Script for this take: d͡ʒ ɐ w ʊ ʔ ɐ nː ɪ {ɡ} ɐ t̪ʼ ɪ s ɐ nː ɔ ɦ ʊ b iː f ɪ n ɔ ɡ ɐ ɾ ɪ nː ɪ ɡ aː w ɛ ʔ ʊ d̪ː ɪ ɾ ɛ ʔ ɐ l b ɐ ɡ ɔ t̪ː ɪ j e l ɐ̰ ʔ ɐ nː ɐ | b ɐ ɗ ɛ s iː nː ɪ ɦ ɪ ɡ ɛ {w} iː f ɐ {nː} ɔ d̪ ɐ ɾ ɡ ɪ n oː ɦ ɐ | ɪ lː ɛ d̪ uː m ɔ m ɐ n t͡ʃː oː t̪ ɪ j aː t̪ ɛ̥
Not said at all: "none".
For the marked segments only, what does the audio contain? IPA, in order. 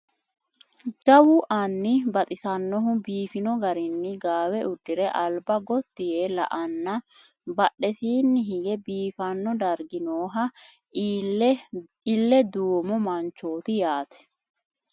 b, b, nː

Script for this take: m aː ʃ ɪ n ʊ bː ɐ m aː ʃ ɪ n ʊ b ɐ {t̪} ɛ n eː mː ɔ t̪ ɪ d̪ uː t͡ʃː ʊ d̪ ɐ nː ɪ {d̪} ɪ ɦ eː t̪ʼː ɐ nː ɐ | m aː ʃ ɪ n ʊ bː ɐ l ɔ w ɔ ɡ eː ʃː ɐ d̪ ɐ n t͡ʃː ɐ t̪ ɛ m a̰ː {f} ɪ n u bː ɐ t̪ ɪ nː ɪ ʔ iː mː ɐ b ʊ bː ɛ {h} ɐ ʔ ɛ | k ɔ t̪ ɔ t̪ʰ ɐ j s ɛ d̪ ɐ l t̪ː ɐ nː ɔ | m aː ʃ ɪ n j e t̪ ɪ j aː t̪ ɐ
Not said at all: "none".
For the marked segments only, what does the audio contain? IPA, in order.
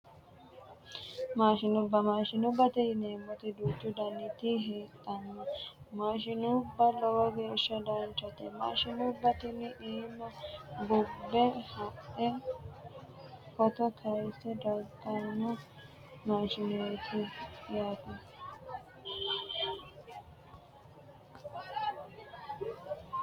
t̪, t̪, ʃ, h

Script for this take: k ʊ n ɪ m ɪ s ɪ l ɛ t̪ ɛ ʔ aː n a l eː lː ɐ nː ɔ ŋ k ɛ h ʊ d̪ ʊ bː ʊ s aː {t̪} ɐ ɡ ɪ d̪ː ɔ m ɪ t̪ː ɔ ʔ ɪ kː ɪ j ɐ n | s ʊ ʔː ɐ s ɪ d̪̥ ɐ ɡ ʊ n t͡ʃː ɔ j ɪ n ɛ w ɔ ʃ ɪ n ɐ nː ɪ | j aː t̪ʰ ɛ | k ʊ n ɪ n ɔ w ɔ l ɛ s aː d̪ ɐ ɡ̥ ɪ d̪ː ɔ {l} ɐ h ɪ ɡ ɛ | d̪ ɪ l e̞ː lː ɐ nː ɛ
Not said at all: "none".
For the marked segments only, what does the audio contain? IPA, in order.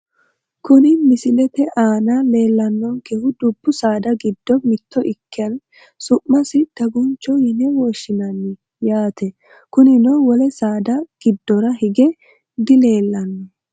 d̪, ɾ

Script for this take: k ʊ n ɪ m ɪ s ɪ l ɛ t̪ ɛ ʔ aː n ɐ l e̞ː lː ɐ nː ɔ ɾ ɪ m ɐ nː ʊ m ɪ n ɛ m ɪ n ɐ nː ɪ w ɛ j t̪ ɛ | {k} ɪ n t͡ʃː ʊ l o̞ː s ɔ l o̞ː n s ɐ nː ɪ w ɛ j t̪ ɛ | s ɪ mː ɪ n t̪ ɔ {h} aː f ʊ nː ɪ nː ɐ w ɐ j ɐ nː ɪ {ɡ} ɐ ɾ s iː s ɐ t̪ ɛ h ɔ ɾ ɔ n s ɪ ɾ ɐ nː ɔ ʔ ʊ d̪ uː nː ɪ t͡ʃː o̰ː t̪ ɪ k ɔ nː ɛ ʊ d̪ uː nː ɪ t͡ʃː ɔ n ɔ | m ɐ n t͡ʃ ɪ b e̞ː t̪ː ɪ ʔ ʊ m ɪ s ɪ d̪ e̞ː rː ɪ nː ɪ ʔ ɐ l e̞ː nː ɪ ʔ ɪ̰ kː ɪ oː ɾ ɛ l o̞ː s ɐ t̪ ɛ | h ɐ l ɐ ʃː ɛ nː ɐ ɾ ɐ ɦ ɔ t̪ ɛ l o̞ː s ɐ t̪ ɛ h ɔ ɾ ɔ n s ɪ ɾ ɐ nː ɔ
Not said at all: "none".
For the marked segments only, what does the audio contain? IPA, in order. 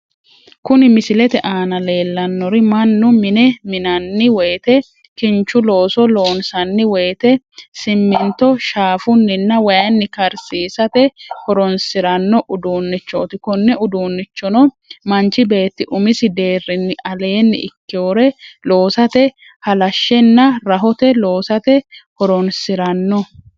k, ʃ, k

